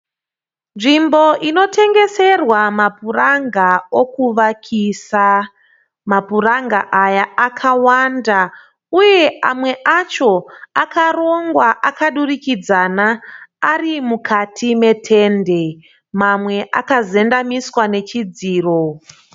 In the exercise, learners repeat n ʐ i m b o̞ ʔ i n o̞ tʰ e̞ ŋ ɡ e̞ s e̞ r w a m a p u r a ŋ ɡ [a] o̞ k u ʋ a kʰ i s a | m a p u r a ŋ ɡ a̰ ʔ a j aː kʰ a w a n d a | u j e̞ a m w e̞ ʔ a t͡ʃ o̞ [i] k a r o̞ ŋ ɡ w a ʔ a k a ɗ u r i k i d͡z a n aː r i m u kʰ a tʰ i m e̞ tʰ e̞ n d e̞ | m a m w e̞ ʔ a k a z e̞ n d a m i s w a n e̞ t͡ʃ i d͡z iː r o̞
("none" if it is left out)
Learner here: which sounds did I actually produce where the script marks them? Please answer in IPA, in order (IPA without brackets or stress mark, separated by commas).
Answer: a, a